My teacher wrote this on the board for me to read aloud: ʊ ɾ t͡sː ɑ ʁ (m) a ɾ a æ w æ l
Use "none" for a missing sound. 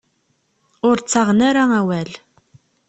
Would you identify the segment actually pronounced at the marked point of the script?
n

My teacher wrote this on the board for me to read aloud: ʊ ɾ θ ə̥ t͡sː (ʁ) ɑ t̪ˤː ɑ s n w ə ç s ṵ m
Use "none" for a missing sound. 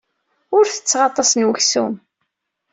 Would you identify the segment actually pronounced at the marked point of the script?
ʁ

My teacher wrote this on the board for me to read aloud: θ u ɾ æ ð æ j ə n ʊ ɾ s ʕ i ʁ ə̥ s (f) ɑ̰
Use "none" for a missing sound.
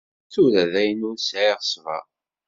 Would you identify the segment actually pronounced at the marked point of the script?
v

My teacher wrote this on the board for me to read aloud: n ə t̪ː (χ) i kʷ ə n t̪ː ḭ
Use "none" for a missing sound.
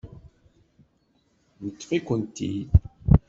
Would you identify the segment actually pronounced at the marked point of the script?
f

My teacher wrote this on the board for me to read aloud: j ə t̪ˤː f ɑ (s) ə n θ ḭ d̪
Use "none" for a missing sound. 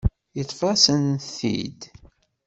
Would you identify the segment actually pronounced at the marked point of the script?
s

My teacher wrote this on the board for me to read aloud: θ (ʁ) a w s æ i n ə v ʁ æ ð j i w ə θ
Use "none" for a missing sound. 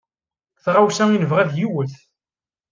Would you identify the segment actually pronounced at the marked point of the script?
ʁ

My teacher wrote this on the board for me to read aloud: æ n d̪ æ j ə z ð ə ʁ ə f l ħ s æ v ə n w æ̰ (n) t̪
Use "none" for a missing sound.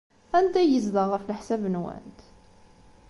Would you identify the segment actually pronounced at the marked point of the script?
n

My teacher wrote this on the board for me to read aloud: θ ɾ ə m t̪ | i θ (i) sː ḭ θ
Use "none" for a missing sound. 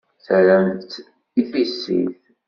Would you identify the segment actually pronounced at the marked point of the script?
i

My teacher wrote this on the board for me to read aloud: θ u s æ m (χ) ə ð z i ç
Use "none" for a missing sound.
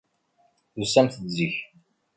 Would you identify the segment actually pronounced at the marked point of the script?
θ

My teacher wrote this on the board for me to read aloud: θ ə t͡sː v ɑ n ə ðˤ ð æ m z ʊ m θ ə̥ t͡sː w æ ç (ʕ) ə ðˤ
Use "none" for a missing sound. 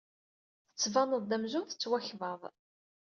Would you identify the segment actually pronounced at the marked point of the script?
v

